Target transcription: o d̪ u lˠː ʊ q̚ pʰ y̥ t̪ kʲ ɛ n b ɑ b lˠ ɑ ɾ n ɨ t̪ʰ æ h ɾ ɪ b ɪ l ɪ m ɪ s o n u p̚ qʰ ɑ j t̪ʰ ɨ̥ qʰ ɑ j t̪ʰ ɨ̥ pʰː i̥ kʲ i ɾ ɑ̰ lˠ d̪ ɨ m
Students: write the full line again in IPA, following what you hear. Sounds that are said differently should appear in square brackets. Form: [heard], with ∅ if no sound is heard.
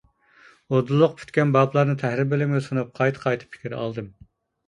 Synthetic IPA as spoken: o d̪ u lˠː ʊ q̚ pʰ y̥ t̪ kʲ ɛ n b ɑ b lˠ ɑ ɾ n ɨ t̪ʰ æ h ɾ ɪ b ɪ l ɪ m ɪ s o n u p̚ qʰ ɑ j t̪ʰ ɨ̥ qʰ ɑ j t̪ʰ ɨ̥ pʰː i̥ kʲ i ɾ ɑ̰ lˠ d̪ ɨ m